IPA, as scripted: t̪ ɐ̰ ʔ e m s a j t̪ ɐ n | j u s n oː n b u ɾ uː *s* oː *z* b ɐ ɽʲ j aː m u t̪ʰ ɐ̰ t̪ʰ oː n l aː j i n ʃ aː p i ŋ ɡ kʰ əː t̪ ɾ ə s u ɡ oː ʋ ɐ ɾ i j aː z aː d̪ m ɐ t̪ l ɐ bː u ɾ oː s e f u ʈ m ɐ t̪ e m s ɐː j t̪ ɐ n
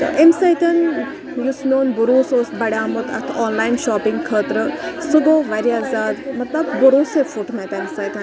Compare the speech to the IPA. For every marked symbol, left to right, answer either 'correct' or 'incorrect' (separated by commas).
correct, incorrect